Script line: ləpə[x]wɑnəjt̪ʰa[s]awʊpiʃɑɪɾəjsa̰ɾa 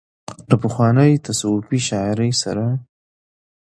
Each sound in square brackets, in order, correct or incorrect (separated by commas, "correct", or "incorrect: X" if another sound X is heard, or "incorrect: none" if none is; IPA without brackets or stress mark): correct, correct